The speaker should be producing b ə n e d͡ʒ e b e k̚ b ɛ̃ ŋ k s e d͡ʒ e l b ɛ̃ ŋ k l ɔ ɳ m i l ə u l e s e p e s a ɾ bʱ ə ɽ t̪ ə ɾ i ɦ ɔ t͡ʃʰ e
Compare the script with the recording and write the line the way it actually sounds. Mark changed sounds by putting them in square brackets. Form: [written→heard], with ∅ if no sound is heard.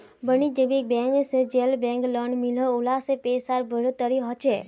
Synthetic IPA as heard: b ə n [e→i] d͡ʒ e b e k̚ b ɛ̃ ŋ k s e d͡ʒ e l b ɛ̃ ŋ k l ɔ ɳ m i l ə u l [e→a] s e p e s a ɾ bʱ ə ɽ t̪ ə ɾ i ɦ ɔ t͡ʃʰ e